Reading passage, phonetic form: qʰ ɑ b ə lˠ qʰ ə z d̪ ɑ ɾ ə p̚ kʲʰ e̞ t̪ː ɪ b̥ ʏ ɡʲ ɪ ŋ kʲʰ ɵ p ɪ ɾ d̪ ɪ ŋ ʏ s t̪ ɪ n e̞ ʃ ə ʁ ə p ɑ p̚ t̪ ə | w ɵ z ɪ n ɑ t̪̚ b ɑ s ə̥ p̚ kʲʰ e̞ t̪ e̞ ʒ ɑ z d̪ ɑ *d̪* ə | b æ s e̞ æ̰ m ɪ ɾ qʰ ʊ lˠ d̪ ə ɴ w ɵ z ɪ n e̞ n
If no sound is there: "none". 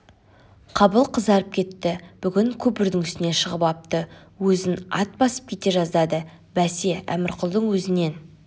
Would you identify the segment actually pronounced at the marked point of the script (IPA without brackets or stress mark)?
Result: d̪